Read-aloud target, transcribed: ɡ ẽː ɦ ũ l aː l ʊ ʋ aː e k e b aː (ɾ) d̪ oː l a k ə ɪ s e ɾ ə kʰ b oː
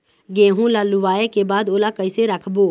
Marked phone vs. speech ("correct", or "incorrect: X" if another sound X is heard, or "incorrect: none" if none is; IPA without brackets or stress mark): incorrect: none